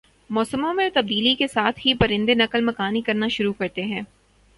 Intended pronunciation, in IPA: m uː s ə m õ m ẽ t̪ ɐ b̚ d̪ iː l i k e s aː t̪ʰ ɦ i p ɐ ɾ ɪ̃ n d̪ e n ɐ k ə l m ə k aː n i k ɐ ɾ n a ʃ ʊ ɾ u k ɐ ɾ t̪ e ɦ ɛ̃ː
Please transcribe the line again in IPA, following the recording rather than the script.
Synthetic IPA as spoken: m ɔː s ə m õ m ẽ t̪ ɐ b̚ d̪ iː l i k e s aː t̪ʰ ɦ i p ɐ ɾ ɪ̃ n d̪ e n ɐ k ə l m ɐ k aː n i k ɐ ɾ n a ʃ ʊ ɾ u k ɐ ɾ t̪ e ɦ ɛ̃ː